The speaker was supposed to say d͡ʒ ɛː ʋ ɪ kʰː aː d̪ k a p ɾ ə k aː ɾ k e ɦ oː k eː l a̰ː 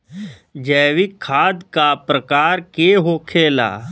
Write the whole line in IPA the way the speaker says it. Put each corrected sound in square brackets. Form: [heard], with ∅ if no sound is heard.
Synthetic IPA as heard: d͡ʒ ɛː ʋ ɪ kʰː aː d̪ k a p ɾ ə k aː ɾ k e ɦ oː [kʰ] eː l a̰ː